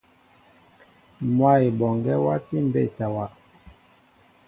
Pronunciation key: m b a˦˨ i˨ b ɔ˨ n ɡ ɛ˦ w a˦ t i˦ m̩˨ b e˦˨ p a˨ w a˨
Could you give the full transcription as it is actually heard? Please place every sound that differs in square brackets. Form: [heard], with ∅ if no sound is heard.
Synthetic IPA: m [w] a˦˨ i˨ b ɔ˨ [ŋ] ɡ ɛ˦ w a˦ t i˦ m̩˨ b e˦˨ [t] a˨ w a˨